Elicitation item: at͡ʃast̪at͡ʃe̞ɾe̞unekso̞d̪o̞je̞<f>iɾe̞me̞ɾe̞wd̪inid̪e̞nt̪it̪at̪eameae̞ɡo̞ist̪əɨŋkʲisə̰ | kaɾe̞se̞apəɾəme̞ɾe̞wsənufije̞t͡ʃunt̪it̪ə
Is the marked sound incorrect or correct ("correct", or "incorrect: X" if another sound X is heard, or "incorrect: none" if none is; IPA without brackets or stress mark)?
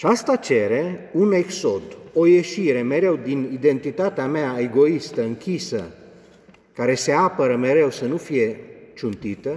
incorrect: ʃ